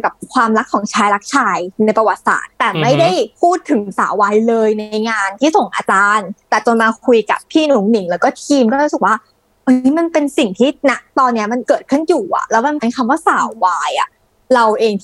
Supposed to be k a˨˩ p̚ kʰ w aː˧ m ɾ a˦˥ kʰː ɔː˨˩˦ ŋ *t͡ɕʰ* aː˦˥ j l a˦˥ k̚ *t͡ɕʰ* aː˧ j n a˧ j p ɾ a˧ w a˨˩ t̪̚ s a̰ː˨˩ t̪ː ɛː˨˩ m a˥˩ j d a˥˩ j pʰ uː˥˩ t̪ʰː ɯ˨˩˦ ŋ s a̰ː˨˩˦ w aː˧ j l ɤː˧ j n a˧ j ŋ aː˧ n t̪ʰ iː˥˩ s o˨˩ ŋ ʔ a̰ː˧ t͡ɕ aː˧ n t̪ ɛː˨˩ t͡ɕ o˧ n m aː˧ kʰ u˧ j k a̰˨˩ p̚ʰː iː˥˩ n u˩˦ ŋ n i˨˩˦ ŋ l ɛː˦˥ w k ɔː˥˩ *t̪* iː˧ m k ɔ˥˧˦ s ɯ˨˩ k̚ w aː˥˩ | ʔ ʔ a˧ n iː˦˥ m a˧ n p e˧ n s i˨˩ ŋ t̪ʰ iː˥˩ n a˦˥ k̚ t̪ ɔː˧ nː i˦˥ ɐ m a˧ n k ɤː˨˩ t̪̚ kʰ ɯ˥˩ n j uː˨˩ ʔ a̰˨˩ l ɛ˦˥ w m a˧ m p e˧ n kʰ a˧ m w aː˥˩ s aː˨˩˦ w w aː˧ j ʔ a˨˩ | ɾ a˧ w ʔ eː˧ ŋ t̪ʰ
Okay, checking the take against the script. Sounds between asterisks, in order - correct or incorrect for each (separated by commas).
correct, correct, incorrect